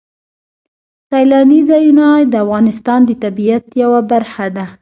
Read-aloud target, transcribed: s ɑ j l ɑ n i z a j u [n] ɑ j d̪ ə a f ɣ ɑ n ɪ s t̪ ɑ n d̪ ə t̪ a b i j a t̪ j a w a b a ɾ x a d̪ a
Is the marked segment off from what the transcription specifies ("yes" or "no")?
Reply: no